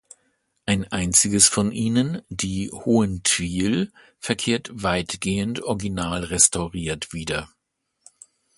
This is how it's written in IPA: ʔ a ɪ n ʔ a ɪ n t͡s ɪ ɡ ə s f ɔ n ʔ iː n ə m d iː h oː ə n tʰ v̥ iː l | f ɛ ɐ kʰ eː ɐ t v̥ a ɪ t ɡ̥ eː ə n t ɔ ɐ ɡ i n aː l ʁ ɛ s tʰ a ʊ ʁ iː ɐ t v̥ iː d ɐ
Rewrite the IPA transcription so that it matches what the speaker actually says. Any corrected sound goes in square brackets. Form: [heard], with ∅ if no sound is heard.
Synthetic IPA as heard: ʔ a ɪ n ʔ a ɪ n t͡s ɪ ɡ ə s f ɔ n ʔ iː n ə [n] d iː h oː ə n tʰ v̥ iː l | f ɛ ɐ kʰ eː ɐ t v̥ a ɪ t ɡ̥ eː ə n t ɔ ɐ ɡ i n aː l ʁ ɛ s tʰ a ʊ ʁ iː ɐ t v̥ iː d ɐ